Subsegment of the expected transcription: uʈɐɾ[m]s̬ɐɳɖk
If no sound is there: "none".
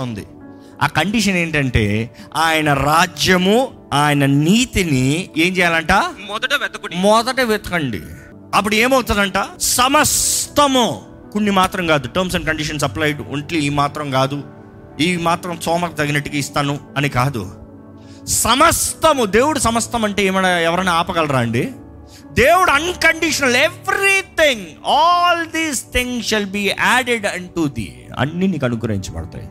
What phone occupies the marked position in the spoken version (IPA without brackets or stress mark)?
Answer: m